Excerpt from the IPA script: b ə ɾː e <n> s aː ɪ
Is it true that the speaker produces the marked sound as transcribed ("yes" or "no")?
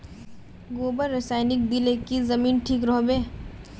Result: no